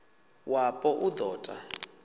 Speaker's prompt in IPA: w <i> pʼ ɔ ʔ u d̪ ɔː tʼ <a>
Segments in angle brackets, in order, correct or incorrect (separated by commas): incorrect, correct